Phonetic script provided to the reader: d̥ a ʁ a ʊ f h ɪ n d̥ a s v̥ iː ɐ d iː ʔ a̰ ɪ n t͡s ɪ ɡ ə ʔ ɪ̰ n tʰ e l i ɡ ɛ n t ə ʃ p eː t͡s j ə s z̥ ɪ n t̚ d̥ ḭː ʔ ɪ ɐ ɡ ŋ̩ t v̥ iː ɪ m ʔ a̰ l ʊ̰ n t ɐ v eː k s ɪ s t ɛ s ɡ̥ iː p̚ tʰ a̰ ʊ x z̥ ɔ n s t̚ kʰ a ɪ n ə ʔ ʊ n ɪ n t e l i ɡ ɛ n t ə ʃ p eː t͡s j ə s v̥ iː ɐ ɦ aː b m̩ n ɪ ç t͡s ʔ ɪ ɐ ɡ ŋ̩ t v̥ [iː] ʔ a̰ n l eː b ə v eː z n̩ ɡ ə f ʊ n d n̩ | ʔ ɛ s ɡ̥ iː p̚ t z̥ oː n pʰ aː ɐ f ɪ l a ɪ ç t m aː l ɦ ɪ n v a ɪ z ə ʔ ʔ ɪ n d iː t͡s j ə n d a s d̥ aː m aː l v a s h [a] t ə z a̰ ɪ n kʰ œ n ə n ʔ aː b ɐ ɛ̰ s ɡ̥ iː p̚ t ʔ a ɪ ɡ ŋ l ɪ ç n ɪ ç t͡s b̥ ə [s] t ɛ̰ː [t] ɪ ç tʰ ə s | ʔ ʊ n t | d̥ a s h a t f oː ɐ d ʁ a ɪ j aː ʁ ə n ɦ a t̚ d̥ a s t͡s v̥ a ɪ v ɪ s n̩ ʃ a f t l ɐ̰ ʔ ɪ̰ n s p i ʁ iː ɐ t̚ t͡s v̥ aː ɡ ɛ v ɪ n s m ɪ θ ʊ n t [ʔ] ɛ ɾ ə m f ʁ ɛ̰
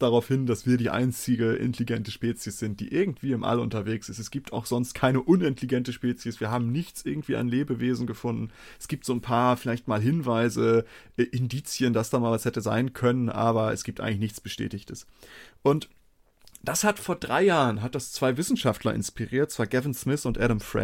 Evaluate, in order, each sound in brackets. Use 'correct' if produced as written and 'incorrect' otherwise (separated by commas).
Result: correct, incorrect, incorrect, correct, correct